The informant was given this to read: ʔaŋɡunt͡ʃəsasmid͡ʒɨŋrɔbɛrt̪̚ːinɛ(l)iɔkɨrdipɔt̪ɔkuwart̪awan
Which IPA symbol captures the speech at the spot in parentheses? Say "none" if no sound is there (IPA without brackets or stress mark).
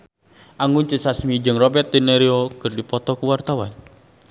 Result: ɾ